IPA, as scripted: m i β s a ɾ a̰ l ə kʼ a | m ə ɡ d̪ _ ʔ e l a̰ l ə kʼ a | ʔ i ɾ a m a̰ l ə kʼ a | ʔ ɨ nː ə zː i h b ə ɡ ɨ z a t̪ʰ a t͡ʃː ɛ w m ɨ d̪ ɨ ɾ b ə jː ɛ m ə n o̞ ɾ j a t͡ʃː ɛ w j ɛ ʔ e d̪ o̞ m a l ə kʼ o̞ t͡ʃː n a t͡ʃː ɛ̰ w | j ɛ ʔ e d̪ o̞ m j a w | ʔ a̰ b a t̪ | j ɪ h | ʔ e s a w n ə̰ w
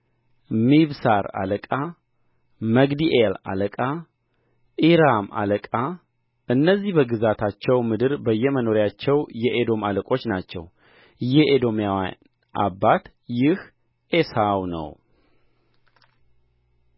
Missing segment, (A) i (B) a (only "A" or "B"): A